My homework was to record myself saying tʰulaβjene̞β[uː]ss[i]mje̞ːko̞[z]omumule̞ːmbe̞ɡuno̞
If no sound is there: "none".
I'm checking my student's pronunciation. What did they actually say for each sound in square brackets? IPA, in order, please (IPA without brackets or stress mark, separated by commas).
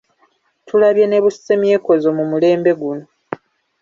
u, e, z